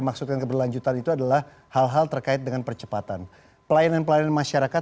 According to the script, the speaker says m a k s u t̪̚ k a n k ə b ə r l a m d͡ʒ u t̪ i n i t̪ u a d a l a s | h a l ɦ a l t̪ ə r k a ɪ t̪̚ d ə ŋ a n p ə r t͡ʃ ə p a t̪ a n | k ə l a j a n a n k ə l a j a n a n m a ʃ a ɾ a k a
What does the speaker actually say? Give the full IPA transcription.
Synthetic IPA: m a k s u t̪̚ k a n k ə b ə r l a ɲ d͡ʒ u t̪ a n i t̪ u a d a l a h | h a l ɦ a l t̪ ə r k a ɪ t̪̚ d ə ŋ a n p ə r t͡ʃ ə p a t̪ a n | p ə l a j a n a n p ə l a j a n a n m a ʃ a ɾ a k a